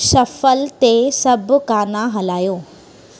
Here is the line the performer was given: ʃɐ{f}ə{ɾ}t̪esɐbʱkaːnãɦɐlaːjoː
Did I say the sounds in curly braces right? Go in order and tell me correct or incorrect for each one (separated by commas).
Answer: correct, incorrect